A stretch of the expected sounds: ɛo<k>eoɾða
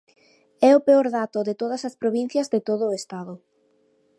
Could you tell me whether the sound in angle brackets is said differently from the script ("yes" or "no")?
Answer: yes